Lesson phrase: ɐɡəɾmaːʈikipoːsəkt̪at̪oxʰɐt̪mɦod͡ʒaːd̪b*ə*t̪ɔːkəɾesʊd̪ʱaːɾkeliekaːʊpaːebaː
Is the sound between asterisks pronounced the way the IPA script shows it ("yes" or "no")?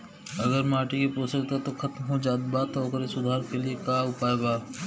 no